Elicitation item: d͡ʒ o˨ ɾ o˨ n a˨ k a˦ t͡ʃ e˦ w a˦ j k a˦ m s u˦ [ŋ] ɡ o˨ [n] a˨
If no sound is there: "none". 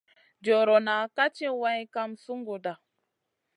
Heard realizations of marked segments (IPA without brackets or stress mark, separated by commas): ŋ, d